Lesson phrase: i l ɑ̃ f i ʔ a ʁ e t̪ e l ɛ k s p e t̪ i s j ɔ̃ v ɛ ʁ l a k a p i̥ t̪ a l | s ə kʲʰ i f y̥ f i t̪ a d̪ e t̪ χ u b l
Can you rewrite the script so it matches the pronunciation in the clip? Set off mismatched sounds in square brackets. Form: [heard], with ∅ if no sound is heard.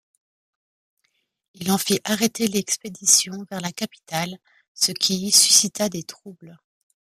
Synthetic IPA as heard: i l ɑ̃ f i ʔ a ʁ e t̪ e l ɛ k s p e [d̪] i s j ɔ̃ v ɛ ʁ l a k a p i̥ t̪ a l | s ə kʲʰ i [s] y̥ [s] i t̪ a d̪ e t̪ χ u b l

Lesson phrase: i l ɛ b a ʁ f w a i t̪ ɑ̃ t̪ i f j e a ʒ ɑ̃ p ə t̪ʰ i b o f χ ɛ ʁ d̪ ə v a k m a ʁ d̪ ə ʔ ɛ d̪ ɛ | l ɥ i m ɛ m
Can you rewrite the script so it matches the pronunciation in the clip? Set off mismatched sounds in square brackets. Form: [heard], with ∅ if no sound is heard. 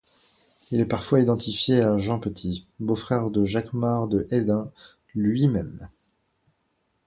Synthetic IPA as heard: i l ɛ [p] a ʁ f w a i [d̪] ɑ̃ t̪ i f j e a ʒ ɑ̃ p ə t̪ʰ i b o f χ ɛ ʁ d̪ ə [ʒ] a k m a ʁ d̪ ə ʔ ɛ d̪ [ɛ̃] | l ɥ i m ɛ m

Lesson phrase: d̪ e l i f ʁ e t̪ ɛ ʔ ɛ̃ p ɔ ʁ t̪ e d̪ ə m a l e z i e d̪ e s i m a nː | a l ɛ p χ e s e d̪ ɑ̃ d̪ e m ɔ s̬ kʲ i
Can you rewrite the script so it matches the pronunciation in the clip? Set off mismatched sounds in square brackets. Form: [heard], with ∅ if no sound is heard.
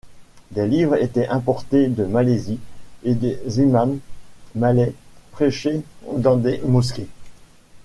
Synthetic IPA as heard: d̪ e l i [v] ʁ e t̪ ɛ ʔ ɛ̃ p ɔ ʁ t̪ e d̪ ə m a l e z i e d̪ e [z] i m a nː | a l ɛ p χ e [ʃ] e d̪ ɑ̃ d̪ e m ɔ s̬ kʲ [e]

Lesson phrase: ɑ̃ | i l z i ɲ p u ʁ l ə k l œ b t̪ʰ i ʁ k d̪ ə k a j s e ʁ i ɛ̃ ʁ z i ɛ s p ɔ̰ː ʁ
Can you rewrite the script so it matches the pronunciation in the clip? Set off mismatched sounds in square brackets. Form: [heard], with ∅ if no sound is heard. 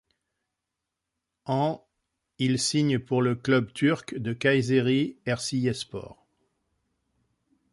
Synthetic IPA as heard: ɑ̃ | i l [s] i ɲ p u ʁ l ə k l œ b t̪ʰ [y] ʁ k d̪ ə k a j [z] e ʁ i [ɛ] ʁ [s] i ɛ s p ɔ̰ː ʁ

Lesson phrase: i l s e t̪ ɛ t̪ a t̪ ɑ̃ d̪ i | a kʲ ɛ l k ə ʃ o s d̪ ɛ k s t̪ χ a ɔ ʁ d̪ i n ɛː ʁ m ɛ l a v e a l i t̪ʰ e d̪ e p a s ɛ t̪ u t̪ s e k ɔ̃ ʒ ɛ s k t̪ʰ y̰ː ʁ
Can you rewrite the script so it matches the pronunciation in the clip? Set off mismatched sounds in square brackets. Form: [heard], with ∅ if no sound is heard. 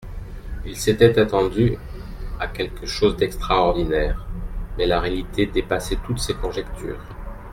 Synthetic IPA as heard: i l s e t̪ ɛ t̪ a t̪ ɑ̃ d̪ [y] | a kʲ ɛ l k ə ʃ o [z] d̪ ɛ k s t̪ χ a ɔ ʁ d̪ i n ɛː ʁ m ɛ l a [ʁ] e a l i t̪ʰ e d̪ e p a s ɛ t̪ u t̪ s e k ɔ̃ ʒ ɛ [∅] k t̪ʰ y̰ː ʁ

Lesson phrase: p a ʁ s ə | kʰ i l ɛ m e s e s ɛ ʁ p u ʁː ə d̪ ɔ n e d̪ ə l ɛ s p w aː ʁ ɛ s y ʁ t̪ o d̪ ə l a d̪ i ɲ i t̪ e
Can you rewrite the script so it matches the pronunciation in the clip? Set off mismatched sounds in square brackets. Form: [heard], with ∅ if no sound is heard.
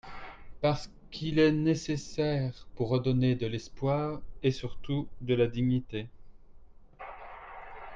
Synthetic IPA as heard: p a ʁ s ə | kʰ i l ɛ [n] e s e s ɛ ʁ p u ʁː ə d̪ ɔ n e d̪ ə l ɛ s p w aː ʁ [e] s y ʁ t̪ [u] d̪ ə l a d̪ i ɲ i t̪ e

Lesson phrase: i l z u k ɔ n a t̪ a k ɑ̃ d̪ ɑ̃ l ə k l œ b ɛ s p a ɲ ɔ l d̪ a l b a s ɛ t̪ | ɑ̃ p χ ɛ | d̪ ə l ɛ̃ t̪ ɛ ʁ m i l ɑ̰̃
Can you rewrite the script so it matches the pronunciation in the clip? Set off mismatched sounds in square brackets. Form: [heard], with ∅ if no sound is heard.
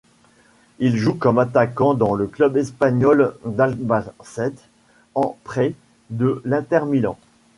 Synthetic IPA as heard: i l [ʒ] u k ɔ [m] a t̪ a k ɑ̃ d̪ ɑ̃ l ə k l œ b ɛ s p a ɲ ɔ l d̪ a l b a s ɛ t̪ | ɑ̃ p χ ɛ | d̪ ə l ɛ̃ t̪ ɛ ʁ m i l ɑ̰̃

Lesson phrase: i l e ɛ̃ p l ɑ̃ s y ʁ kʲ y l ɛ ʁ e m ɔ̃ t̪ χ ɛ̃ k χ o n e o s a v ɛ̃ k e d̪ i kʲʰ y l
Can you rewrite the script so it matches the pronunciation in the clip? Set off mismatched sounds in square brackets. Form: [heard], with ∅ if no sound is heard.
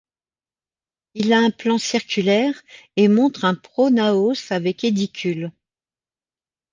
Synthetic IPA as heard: i l [a] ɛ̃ p l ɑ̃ s [i] ʁ kʲ y l ɛ ʁ e m ɔ̃ t̪ χ ɛ̃ [p] χ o n [a] o s a v [ɛ] k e d̪ i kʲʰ y l

